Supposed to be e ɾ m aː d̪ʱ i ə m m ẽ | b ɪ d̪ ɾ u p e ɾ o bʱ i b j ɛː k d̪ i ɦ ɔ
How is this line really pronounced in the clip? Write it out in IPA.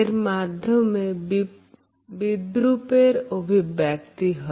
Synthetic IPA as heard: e ɾ m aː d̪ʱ j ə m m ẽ | b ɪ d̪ ɾ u p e ɾ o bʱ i b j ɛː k t̪ i ɦ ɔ